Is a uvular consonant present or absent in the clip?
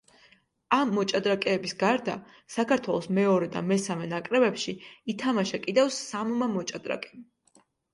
absent